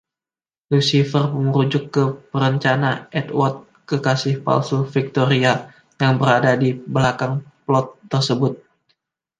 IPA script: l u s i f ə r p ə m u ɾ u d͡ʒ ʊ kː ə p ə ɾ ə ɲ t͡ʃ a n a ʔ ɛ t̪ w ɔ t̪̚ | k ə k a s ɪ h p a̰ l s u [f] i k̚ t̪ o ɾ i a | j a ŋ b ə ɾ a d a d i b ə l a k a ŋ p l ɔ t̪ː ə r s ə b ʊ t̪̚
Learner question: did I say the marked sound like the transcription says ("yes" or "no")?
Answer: yes